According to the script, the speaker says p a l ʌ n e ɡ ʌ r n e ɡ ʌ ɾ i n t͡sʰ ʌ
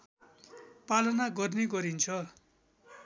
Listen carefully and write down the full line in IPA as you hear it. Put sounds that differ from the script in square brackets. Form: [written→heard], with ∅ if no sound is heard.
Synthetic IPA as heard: p a l ʌ n [e→a] ɡ ʌ r n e ɡ ʌ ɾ i n t͡sʰ ʌ